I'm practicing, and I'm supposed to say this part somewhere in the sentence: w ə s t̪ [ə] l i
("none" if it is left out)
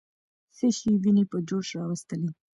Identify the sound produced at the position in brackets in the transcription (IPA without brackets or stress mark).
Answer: ə